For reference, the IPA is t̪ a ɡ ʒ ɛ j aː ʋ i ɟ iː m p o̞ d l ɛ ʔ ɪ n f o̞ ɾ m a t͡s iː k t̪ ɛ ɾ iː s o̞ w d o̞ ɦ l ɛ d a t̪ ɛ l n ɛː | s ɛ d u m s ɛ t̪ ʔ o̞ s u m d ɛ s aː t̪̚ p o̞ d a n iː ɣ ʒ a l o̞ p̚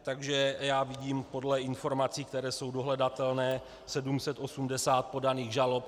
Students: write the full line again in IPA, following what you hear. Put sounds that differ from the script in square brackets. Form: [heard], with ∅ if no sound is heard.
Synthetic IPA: t̪ a ɡ ʒ ɛ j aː [v] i ɟ iː m p o̞ d l ɛ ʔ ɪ n f o̞ ɾ m a t͡s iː k t̪ ɛ ɾ [ɛː] s o̞ w d o̞ ɦ l ɛ d a t̪ ɛ l n ɛː | s ɛ d u m s ɛ t̪ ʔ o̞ s u m d ɛ s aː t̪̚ p o̞ d a n iː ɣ ʒ a l o̞ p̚